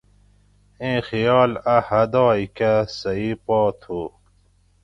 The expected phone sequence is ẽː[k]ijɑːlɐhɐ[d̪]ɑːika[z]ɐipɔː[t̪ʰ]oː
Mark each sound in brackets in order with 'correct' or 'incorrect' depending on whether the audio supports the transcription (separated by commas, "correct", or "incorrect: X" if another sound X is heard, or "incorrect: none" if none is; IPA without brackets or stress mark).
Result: incorrect: x, correct, incorrect: s, correct